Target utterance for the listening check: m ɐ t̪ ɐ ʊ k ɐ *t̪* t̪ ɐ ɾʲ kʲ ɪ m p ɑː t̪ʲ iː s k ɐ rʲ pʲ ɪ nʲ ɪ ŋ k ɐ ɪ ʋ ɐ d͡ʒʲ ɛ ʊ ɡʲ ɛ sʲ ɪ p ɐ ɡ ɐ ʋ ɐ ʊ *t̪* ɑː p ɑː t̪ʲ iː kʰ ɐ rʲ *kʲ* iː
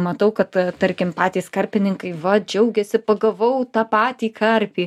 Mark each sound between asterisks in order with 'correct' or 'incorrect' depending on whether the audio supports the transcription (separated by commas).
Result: correct, correct, incorrect